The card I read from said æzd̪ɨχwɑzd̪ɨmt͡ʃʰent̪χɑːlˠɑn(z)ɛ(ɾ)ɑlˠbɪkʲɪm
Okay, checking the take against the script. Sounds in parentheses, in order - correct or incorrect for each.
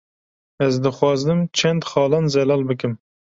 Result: correct, incorrect: l

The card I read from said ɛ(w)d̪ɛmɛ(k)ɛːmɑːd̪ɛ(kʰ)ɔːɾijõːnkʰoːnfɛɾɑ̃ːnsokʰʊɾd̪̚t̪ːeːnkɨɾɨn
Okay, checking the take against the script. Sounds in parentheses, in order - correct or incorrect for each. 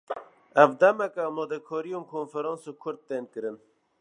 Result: incorrect: v, correct, correct

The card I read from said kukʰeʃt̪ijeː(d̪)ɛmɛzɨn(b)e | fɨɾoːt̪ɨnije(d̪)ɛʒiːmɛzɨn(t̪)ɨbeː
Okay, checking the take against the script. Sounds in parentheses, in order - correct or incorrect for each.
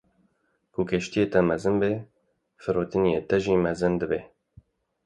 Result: incorrect: t̪, correct, incorrect: t̪, incorrect: d̪

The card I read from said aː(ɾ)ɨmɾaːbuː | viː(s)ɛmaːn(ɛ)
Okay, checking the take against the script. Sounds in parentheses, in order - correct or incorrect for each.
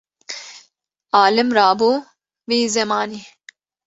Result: incorrect: l, incorrect: z, incorrect: i

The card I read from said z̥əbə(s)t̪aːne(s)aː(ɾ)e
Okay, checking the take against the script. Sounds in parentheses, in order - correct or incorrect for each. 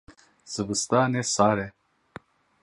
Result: correct, correct, correct

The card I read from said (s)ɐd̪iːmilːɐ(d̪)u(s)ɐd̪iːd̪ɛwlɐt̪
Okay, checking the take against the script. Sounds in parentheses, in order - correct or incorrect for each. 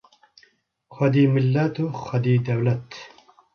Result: incorrect: x, incorrect: t̪, incorrect: x

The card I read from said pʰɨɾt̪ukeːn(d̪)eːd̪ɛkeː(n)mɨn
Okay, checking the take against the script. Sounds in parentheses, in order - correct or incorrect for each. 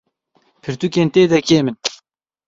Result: incorrect: t̪, incorrect: none

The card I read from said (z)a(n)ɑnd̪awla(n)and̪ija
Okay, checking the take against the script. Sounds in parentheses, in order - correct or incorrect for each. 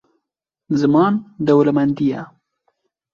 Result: correct, incorrect: m, incorrect: m

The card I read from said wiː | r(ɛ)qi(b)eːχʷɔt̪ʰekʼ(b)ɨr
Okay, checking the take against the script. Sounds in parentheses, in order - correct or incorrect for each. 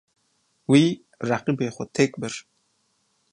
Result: incorrect: a, correct, correct

